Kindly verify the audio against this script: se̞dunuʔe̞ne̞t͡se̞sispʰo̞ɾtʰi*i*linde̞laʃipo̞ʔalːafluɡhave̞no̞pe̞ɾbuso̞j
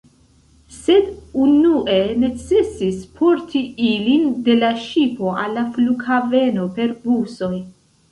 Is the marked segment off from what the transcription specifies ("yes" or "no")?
no